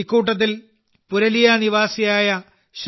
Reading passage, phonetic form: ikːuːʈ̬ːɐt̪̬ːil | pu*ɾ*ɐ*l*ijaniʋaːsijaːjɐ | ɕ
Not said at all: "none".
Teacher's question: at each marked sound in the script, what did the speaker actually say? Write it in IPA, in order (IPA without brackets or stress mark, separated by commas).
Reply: ɾ, l